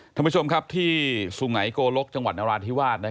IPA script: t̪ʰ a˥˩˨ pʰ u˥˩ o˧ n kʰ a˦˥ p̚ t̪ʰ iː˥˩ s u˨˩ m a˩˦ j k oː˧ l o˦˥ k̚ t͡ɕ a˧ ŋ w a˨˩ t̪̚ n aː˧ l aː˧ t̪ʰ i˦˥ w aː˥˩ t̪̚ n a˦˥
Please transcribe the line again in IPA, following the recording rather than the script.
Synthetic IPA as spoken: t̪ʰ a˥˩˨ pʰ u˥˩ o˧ m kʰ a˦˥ p̚ t̪ʰ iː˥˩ s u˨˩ ŋ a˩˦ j k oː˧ l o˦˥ k̚ t͡ɕ a˧ ŋ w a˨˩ t̪̚ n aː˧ ɾ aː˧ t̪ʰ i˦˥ w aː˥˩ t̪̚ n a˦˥

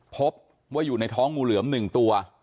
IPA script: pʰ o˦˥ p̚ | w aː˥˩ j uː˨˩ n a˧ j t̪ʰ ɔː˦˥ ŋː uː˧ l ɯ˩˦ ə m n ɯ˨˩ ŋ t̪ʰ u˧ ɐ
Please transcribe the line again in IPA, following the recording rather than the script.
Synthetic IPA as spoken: pʰ o˦˥ p̚ | w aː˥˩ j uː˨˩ n a˧ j t̪ʰ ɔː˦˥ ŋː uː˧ l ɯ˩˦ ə m n ɯ˨˩ ŋ t̪ u˧ ɐ

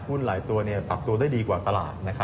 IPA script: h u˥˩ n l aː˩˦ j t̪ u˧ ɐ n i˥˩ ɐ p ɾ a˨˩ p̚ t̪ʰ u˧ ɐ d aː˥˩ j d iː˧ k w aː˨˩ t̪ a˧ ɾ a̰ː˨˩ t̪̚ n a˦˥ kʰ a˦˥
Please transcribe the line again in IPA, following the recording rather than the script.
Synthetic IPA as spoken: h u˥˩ n l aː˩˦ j t̪ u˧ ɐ n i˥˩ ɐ p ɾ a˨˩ p̚ t̪ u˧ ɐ d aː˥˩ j d iː˧ k w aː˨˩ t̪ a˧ l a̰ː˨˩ t̪̚ n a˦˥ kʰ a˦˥

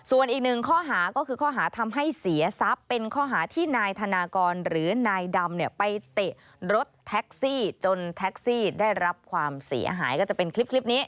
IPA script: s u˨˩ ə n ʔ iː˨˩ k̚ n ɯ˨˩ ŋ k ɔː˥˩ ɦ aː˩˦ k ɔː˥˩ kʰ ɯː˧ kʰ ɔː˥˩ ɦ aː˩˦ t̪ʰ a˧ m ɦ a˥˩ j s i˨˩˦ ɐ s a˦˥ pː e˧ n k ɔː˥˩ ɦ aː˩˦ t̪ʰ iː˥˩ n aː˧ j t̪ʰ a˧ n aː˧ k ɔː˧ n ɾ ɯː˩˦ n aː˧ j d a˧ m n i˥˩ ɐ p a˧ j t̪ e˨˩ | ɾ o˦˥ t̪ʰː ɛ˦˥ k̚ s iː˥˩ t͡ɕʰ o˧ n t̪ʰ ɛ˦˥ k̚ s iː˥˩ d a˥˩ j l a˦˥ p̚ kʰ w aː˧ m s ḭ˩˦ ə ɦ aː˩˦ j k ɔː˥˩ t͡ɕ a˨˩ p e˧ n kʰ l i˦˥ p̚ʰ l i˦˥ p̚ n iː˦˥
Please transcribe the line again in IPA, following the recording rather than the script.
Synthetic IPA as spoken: s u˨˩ ə n ʔ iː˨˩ k̚ n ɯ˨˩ ŋ kʰ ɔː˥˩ ɦ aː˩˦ k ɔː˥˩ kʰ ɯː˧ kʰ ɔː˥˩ ɦ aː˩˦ t̪ʰ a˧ m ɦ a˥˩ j s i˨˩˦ ɐ s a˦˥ pː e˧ n kʰ ɔː˥˩ ɦ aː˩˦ t̪ʰ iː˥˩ n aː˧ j t̪ʰ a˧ n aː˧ k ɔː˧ n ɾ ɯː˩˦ n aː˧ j d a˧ m n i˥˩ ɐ p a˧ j t̪ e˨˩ | ɾ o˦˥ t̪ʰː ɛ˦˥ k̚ s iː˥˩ t͡ɕ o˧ n t̪ʰ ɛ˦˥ k̚ s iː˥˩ d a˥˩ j ɾ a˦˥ p̚ kʰ w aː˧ m s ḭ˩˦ ɐ ɦ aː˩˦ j k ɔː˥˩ t͡ɕ a˨˩ p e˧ n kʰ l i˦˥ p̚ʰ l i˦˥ p̚ n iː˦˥

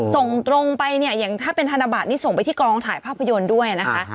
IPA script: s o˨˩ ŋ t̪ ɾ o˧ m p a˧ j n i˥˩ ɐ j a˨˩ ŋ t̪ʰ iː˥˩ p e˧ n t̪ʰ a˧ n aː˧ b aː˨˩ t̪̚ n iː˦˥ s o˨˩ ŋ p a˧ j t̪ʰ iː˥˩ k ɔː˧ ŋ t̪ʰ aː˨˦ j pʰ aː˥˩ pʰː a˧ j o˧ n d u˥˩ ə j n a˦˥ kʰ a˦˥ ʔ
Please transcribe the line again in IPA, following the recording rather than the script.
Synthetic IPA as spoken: s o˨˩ ŋ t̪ ɾ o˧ ŋ p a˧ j n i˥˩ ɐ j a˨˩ ŋ t̪ʰ aː˥˩ p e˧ n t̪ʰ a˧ n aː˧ b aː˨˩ t̪̚ n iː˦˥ s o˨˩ ŋ p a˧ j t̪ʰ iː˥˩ k ɔː˧ ŋ t̪ʰ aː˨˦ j pʰ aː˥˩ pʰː a˧ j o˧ n d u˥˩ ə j n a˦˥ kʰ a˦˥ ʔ

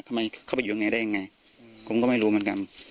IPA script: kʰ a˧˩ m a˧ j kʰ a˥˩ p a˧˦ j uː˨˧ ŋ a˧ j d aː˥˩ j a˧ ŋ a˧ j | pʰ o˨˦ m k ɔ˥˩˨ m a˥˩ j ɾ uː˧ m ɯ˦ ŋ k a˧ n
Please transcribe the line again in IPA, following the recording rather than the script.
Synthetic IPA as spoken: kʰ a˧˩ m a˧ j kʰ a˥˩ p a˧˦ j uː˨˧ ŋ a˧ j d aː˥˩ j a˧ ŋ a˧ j | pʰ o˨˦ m k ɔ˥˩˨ m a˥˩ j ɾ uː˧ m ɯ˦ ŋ k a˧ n

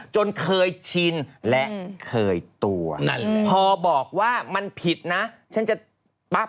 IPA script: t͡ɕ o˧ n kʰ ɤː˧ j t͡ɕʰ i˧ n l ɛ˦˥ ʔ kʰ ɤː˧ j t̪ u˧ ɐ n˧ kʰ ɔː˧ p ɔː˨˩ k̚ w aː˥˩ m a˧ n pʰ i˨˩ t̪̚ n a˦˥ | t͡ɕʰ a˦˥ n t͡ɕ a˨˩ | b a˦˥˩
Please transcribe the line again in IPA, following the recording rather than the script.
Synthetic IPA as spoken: t͡ɕ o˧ n kʰ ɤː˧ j t͡ɕʰ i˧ n l ɛ˦˥ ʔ kʰ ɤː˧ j t̪ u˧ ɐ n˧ pʰ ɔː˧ b ɔː˨˩ k̚ w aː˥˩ m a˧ n pʰ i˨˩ t̪̚ n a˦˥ | t͡ɕʰ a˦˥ n t͡ɕ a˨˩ | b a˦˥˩

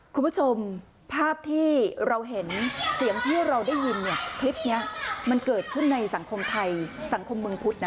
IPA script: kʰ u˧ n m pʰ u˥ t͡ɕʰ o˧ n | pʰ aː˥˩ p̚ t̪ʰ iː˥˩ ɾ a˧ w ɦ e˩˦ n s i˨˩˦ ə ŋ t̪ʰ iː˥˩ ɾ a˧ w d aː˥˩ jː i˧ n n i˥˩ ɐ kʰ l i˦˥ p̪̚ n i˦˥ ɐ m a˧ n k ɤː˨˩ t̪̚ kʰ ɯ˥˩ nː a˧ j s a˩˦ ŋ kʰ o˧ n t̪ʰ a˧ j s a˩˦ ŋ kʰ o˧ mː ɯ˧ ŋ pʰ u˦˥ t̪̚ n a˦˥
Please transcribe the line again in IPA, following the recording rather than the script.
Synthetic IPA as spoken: kʰ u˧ n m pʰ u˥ t͡ɕʰ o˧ m | pʰ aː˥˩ p̚ t̪ʰ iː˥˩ ɾ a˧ w ɦ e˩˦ n s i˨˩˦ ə ŋ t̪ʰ iː˥˩ ɾ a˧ w d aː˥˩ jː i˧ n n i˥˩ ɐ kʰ l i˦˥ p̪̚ n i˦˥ ɐ m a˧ n k ɤː˨˩ t̪̚ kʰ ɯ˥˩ nː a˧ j s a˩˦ ŋ kʰ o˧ m t̪ʰ a˧ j s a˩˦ ŋ kʰ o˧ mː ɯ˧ ŋ pʰ u˦˥ t̪̚ n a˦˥

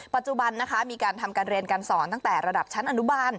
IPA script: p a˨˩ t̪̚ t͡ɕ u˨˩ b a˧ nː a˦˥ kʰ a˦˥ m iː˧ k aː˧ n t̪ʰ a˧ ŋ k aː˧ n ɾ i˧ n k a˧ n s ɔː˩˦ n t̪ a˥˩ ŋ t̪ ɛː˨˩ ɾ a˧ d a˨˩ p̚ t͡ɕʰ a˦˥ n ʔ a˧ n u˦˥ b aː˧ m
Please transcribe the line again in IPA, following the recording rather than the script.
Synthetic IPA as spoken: p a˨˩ t̪̚ t͡ɕ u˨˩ b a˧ nː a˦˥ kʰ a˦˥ m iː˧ k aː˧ n t̪ʰ a˧ m k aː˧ n ɾ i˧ n k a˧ n s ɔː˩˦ n t̪ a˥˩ ŋ t̪ ɛː˨˩ ɾ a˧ d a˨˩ p̚ t͡ɕʰ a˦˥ n ʔ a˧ n u˦˥ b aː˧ n

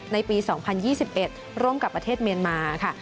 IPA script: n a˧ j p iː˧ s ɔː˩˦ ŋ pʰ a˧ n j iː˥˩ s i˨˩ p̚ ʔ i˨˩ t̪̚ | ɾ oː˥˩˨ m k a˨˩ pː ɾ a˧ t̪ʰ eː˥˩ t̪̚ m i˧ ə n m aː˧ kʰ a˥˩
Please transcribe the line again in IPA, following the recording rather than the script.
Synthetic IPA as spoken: n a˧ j p iː˧ s ɔː˩˦ ŋ pʰ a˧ n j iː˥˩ s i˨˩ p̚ ʔ e˨˩ t̪̚ | ɾ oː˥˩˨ m k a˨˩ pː ɾ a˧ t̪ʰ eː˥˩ t̪̚ m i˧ ə n m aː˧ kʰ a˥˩

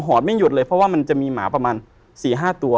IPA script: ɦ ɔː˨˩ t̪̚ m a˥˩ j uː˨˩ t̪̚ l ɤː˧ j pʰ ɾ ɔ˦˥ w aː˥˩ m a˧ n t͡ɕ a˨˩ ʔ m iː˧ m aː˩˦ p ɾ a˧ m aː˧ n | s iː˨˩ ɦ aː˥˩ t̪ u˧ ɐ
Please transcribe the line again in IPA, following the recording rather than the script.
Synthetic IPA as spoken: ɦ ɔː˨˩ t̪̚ m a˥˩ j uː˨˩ t̪̚ l ɤː˧ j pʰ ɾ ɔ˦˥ w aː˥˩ m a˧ n t͡ɕ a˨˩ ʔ m iː˧ m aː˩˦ p ɾ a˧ m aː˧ n | s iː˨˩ ɦ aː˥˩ t̪ u˧ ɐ

